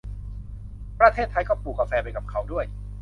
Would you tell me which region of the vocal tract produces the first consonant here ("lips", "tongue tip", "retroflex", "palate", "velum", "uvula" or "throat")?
lips